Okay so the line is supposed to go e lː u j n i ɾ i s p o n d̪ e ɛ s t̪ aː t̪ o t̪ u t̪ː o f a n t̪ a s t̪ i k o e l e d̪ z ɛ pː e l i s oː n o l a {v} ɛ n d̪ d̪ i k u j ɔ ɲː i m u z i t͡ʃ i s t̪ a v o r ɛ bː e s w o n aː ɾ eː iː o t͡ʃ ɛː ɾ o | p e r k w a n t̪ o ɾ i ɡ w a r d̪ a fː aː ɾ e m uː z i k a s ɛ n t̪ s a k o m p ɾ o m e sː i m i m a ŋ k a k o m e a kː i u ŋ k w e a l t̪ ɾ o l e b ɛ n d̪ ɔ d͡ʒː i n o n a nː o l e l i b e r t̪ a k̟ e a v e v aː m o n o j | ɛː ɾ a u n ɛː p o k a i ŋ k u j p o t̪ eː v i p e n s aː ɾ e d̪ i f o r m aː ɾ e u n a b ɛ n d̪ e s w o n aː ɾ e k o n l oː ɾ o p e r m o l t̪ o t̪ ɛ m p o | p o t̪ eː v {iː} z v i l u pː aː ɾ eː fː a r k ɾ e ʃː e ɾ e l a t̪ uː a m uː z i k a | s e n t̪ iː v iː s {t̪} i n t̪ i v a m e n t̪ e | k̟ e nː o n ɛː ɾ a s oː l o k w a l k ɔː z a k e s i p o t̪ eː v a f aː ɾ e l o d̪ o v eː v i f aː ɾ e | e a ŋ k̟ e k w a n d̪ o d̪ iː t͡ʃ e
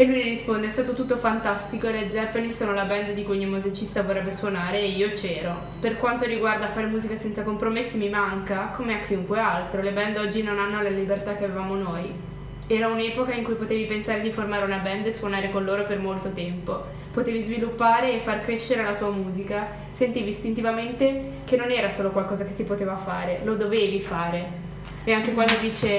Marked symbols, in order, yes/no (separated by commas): no, no, yes